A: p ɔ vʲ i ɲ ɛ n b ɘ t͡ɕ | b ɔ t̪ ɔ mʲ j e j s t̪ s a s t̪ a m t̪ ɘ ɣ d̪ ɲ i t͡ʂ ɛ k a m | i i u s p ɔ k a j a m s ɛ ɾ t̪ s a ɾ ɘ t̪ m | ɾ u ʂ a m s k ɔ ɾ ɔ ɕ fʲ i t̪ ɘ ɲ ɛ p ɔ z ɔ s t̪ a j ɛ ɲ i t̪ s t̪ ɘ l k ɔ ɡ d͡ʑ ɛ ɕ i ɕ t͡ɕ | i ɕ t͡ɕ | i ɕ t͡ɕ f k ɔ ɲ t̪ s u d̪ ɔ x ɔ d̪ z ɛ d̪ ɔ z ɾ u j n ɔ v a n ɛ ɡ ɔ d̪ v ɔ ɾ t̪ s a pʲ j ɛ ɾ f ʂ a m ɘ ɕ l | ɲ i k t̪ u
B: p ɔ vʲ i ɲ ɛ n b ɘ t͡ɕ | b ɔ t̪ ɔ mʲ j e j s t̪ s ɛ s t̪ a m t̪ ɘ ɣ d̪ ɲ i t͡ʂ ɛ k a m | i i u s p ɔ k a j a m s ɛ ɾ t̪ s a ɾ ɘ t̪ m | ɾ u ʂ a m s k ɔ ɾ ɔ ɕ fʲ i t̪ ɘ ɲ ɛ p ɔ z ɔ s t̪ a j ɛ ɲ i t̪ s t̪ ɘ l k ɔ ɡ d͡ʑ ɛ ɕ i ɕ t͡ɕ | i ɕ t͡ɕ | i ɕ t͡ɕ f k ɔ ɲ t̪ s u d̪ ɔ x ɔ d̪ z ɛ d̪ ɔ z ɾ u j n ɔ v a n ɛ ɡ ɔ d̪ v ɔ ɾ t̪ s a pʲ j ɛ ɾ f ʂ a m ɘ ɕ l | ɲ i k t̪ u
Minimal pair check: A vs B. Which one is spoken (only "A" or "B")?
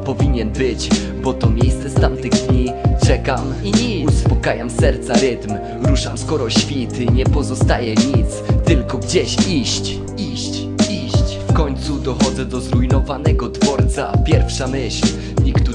B